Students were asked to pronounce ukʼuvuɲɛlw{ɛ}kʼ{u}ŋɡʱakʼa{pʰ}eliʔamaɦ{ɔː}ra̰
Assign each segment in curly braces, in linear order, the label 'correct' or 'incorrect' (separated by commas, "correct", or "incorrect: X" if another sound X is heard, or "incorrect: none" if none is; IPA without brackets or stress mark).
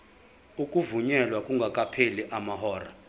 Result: incorrect: a, correct, correct, correct